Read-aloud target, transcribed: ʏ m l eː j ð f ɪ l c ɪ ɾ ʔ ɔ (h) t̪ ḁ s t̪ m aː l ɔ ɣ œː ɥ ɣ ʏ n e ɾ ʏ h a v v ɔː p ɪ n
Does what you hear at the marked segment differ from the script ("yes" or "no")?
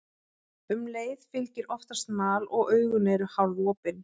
yes